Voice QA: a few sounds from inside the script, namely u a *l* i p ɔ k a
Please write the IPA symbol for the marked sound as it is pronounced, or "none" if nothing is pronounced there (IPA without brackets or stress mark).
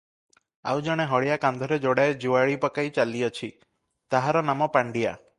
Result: ɭ